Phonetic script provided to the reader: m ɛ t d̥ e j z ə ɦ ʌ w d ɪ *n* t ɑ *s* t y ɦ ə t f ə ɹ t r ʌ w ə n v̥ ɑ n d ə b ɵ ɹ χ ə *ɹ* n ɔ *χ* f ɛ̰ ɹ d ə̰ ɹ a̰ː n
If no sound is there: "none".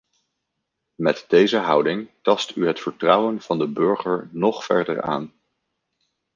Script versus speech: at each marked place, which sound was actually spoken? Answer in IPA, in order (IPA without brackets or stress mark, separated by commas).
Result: ŋ, s, ɹ, χ